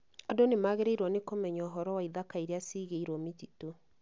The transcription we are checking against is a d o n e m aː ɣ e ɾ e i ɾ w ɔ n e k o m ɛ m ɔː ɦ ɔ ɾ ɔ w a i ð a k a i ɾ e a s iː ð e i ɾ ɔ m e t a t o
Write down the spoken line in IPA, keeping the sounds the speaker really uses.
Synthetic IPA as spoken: a d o n e m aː ɣ e ɾ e i ɾ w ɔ n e k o m ɛ ɲ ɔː ɦ ɔ ɾ ɔ w a i ð a k a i ɾ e a s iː ɣ e i ɾ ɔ m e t i t o